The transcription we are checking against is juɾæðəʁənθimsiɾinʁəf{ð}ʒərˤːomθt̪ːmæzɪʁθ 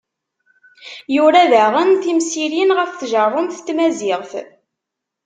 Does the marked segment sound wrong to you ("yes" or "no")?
yes